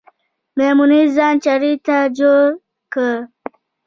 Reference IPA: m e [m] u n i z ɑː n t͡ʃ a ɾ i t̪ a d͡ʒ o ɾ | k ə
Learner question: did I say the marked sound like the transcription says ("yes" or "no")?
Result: yes